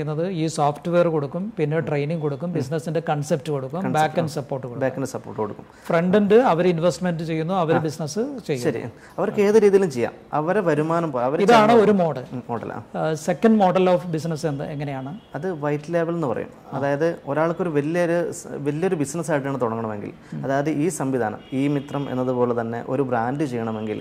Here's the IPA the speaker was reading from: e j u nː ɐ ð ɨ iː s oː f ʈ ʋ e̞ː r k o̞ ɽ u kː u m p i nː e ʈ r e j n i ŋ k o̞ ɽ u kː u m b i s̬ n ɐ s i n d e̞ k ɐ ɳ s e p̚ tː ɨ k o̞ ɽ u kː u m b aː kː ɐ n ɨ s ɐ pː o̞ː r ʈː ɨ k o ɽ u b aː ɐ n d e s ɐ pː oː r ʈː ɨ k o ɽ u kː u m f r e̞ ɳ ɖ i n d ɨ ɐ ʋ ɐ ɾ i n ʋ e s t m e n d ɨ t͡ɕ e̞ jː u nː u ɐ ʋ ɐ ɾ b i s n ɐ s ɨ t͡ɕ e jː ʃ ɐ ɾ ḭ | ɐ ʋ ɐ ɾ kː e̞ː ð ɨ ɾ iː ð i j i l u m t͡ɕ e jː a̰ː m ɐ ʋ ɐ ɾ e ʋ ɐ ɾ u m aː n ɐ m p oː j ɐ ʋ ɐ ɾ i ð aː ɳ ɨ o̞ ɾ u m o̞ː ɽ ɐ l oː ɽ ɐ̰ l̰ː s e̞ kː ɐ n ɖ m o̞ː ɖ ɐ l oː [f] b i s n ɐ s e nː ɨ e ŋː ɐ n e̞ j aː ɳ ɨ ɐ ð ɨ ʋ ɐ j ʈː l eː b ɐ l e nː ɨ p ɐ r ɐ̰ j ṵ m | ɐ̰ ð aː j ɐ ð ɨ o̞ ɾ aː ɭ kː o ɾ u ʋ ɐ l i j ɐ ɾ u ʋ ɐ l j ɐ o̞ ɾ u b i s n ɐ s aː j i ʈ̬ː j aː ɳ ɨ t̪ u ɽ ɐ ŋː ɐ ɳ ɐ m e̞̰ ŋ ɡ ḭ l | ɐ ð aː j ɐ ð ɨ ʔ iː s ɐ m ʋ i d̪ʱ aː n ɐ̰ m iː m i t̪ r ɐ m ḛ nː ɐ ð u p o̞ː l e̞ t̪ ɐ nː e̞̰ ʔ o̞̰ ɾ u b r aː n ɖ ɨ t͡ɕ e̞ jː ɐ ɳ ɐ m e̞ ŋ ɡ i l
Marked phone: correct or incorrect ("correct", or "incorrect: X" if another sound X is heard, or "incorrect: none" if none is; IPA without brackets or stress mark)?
correct